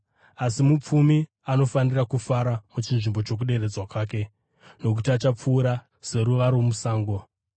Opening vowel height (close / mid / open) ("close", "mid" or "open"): open